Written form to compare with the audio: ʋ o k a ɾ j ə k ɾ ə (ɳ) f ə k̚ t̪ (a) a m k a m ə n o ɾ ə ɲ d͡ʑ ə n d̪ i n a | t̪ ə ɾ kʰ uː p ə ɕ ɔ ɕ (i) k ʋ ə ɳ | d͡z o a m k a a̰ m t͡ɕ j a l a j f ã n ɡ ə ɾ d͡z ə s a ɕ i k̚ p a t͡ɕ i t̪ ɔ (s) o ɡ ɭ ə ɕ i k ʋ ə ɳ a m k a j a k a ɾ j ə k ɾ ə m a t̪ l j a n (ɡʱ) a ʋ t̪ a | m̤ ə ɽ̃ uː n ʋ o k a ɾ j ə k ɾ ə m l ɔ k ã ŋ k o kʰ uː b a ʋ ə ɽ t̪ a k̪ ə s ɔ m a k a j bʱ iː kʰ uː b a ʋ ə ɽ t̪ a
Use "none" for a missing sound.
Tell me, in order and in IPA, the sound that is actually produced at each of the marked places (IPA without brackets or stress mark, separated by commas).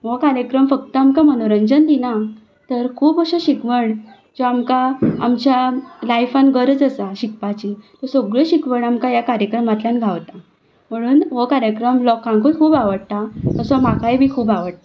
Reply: m, ə, i, s, ɡʱ